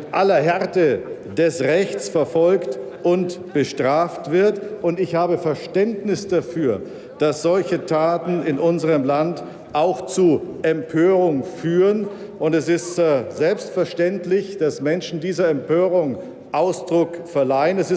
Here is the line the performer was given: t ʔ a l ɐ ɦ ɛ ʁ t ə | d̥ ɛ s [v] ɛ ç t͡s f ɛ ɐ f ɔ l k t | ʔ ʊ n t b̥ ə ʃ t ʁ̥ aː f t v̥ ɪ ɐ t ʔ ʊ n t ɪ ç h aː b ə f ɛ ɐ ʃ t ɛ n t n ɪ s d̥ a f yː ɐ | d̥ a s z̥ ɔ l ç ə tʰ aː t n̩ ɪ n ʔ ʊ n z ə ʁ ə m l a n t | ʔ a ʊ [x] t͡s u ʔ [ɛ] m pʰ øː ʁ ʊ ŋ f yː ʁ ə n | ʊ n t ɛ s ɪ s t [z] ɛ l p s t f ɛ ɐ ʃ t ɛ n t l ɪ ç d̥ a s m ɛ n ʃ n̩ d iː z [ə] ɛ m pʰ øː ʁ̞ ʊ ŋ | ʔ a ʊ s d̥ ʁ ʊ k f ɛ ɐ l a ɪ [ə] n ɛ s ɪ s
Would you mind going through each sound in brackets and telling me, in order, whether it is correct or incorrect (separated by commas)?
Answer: incorrect, correct, correct, correct, incorrect, correct